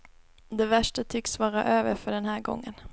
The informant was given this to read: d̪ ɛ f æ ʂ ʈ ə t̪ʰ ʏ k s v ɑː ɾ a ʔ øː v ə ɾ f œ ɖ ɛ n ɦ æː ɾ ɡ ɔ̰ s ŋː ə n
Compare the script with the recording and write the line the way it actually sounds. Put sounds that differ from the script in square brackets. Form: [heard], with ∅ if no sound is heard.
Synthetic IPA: d̪ ɛ [v] æ ʂ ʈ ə t̪ʰ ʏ k s v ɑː ɾ a ʔ øː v ə ɾ f œ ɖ ɛ n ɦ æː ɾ ɡ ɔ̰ [∅] ŋː ə n